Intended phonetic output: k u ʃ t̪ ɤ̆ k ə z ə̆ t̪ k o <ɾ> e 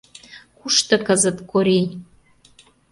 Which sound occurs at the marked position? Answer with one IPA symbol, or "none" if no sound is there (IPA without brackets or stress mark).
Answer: ɾ